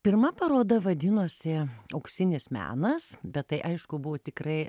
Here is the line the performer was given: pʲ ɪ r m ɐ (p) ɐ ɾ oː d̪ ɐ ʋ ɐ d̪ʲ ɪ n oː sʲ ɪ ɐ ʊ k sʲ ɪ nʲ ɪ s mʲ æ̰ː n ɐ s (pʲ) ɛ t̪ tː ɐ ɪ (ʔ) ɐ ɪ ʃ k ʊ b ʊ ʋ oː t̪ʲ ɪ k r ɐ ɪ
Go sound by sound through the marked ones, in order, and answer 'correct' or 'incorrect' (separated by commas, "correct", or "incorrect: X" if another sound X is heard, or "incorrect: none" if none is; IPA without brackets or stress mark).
correct, incorrect: bʲ, correct